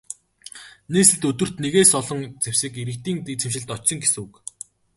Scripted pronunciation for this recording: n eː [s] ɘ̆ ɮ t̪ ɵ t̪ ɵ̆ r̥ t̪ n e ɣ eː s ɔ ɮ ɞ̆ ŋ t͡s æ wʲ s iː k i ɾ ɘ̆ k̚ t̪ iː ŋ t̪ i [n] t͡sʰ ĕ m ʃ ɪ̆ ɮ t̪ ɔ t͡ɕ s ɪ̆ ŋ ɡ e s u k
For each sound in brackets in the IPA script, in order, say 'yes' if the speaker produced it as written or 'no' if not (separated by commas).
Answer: yes, no